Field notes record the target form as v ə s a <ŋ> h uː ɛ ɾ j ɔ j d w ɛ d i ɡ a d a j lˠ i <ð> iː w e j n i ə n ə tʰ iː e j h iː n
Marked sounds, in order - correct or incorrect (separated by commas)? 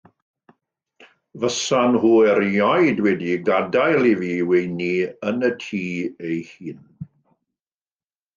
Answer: incorrect, incorrect